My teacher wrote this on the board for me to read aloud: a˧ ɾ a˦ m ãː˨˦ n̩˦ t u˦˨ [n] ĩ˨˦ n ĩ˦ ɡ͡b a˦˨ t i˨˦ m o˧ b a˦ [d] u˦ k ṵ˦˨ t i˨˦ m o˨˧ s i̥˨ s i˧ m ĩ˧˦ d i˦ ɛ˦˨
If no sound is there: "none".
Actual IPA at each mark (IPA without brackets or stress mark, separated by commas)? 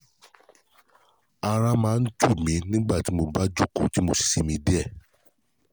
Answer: m, d͡ʒ